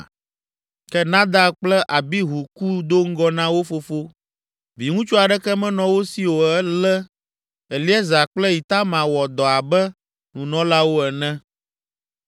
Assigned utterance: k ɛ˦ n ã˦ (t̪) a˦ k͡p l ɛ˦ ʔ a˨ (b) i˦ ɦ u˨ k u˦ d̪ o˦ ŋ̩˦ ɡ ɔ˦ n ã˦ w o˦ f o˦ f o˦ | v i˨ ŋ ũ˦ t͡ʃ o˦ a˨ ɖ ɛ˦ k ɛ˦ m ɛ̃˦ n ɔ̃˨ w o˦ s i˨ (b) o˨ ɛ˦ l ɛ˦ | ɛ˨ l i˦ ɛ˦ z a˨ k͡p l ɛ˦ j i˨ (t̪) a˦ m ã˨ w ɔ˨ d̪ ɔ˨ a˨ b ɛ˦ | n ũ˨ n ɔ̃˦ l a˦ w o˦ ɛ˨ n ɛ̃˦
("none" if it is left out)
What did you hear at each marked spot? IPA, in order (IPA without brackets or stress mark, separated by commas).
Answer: d̪, b, w, t̪